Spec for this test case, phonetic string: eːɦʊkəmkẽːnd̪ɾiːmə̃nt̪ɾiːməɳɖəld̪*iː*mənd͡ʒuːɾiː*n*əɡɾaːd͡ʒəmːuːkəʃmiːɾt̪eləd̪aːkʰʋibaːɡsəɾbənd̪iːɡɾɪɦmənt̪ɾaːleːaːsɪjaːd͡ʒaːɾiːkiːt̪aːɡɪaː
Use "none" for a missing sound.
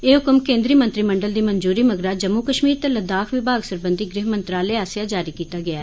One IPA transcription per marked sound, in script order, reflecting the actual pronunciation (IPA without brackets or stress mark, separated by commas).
iː, m